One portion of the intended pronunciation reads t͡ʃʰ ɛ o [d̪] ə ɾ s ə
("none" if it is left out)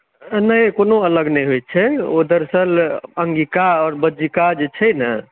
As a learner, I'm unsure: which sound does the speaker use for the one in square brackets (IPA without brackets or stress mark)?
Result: d̪